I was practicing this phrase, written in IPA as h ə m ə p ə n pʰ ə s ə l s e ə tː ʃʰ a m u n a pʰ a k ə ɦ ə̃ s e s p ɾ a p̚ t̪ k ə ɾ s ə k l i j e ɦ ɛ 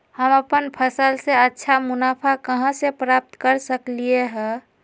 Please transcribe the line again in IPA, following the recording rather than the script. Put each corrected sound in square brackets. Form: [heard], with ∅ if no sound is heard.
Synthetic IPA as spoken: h ə m ə p ə n pʰ ə s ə l s e ə tː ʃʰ a m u n a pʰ a k ə ɦ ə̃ s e [∅] p ɾ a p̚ t̪ k ə ɾ s ə k l i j e ɦ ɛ